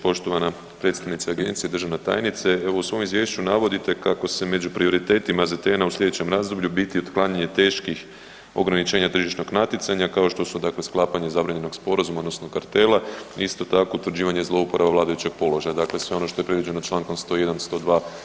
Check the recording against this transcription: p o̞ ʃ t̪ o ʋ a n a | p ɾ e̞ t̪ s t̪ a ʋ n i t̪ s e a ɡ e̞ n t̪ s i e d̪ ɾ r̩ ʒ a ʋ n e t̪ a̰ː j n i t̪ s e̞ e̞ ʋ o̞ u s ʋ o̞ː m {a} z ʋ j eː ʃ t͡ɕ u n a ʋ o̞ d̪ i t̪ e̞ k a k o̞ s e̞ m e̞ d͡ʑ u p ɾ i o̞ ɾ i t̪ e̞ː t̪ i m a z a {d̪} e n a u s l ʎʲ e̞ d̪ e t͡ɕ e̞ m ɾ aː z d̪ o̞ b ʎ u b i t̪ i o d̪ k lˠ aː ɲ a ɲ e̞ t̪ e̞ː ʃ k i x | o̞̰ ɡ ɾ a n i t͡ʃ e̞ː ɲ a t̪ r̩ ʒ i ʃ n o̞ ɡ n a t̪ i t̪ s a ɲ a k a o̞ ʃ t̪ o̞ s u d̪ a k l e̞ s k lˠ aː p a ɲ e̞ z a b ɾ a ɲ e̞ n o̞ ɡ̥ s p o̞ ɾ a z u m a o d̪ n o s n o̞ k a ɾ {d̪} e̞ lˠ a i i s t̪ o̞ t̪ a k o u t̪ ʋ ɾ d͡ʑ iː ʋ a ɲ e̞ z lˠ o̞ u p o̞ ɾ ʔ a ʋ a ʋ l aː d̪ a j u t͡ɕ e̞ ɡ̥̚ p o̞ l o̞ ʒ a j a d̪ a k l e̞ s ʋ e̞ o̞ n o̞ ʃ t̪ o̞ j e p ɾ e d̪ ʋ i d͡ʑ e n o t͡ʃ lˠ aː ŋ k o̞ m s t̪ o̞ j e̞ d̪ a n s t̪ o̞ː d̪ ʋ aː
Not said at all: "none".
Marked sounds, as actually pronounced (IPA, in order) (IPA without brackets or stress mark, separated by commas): i, t̪, t̪